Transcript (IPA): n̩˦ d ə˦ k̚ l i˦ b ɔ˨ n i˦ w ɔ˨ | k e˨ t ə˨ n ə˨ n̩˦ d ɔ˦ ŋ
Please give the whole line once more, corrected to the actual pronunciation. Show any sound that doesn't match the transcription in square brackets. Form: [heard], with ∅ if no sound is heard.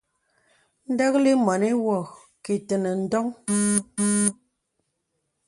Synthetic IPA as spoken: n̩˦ d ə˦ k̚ l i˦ [m] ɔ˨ n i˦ w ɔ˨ | k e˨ t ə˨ n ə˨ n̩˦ d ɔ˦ ŋ